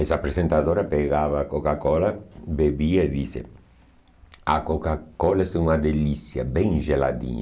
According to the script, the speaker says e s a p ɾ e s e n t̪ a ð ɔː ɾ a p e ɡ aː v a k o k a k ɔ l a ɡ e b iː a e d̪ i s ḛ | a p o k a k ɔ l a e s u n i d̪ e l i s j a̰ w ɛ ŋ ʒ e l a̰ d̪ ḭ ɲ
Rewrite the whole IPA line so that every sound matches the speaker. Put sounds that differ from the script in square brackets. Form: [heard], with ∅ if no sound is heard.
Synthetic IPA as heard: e s a p ɾ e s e n t̪ a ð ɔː ɾ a p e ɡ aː v a k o k a k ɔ l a [b] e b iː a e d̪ i s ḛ | a [k] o k a k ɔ l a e s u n [a] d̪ e l i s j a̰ [b] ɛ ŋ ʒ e l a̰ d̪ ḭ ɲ